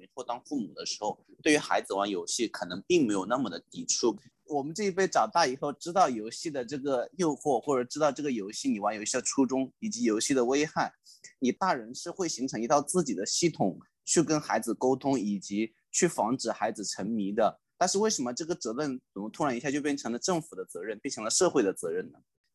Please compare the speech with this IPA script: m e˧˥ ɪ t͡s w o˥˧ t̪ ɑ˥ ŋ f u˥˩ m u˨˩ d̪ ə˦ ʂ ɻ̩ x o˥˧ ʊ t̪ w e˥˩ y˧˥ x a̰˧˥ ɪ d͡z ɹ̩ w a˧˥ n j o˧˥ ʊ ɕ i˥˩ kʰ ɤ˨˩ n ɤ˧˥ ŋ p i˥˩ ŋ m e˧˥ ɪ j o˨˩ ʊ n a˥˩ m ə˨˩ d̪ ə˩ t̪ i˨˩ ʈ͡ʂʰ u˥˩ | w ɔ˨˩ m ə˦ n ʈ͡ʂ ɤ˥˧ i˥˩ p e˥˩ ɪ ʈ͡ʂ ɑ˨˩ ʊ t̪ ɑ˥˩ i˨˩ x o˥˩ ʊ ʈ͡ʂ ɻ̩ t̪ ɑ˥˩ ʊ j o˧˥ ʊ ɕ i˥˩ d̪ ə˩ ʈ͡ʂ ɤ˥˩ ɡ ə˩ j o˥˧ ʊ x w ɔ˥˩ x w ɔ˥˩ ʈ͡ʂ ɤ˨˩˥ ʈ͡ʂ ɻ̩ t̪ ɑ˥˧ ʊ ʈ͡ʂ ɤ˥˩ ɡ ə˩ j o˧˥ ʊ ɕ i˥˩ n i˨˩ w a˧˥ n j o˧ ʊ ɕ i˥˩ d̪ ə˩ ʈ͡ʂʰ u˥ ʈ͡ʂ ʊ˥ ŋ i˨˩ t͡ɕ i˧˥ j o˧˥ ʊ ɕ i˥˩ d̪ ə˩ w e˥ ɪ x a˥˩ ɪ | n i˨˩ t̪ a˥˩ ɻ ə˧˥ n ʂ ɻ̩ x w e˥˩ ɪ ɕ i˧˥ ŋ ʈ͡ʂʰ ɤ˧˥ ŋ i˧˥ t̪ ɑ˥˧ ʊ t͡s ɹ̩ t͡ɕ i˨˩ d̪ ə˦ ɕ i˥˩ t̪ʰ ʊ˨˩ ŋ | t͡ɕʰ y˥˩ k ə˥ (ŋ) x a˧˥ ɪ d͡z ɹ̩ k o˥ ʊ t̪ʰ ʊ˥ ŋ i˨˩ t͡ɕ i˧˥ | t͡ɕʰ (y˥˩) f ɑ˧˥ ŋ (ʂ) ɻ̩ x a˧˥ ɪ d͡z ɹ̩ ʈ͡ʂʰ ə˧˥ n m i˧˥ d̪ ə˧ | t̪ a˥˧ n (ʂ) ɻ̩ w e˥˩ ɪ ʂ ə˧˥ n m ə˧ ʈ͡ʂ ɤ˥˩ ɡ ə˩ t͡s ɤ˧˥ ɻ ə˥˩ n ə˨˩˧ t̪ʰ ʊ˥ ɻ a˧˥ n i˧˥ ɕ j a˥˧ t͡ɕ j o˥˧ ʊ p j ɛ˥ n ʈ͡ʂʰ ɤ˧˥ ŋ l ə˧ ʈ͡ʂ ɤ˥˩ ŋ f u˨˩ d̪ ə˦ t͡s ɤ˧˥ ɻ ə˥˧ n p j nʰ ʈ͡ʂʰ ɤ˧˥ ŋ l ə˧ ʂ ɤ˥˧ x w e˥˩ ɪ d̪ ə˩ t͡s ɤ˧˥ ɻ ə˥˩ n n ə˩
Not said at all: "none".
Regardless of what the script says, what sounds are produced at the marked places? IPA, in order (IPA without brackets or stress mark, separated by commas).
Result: n, y˥˩, ʈ͡ʂ, ʂ